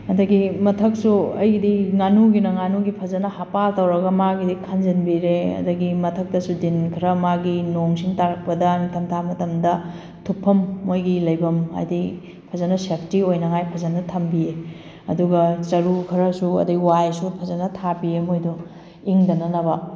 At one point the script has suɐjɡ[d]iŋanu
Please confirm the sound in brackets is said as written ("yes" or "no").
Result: yes